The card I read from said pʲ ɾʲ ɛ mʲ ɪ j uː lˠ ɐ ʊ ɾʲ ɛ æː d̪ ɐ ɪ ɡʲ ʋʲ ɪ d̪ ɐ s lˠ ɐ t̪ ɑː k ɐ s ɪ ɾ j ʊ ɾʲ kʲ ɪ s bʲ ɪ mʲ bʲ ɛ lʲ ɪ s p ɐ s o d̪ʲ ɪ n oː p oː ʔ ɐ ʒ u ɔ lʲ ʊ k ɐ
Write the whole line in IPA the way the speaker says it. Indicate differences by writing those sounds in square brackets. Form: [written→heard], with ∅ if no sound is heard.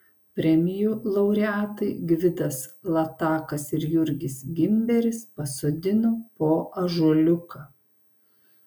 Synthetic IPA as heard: pʲ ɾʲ ɛ mʲ ɪ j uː lˠ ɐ ʊ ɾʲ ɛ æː [d̪→t̪] ɐ ɪ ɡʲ ʋʲ ɪ d̪ ɐ s lˠ ɐ t̪ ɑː k ɐ s ɪ ɾ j ʊ ɾʲ [kʲ→ɡʲ] ɪ s [bʲ→ɡʲ] ɪ mʲ bʲ ɛ [lʲ→ɾʲ] ɪ s p ɐ s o d̪ʲ ɪ n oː p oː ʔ ɐ ʒ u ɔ lʲ ʊ k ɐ